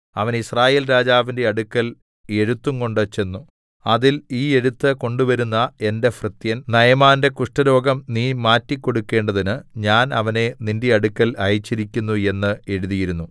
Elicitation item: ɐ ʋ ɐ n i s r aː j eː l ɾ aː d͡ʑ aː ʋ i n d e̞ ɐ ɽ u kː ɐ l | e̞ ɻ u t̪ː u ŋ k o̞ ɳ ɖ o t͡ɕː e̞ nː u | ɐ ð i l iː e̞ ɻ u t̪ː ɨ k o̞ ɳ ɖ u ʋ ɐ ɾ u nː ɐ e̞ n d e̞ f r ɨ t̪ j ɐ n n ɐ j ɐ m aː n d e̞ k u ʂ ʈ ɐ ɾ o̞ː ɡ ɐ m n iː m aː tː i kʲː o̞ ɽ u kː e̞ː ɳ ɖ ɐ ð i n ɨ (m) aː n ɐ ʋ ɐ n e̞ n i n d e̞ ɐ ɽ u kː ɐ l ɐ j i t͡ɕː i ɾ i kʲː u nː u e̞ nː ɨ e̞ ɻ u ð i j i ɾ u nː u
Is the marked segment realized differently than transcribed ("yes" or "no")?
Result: yes